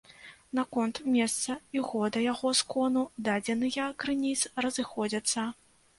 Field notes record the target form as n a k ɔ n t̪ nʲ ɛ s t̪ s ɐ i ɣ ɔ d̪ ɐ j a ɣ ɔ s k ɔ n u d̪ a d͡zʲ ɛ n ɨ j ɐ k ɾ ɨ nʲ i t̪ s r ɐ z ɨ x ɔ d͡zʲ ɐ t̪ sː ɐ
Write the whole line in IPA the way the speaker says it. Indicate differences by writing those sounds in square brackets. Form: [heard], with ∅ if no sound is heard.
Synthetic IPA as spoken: n a k ɔ n t̪ [mʲ] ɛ s t̪ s ɐ i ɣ ɔ d̪ ɐ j a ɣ ɔ s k ɔ n u d̪ a d͡zʲ ɛ n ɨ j ɐ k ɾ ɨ nʲ i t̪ s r ɐ z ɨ x ɔ d͡zʲ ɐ t̪ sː ɐ